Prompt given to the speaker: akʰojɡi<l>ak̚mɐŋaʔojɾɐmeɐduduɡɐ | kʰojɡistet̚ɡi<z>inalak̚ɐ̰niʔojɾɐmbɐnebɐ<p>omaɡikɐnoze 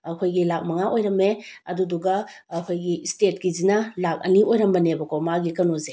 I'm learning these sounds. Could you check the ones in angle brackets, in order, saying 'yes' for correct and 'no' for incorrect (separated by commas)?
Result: yes, yes, no